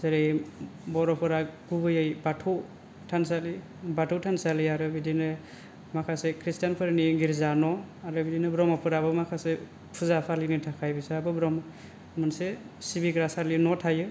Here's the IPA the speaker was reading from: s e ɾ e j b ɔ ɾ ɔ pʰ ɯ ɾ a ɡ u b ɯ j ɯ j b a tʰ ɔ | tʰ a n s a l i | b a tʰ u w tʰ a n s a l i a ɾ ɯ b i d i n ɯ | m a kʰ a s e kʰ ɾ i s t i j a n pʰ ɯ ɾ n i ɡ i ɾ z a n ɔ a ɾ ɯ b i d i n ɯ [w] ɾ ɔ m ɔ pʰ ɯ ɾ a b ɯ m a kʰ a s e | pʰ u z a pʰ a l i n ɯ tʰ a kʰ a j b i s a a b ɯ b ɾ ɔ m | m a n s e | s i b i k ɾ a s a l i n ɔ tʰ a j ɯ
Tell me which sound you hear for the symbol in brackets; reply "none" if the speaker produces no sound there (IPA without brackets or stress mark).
b